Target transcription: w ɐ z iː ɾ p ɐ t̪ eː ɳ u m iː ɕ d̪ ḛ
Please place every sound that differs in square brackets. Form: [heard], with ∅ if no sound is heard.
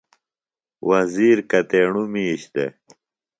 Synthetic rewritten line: w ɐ z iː ɾ [k] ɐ t̪ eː ɳ u m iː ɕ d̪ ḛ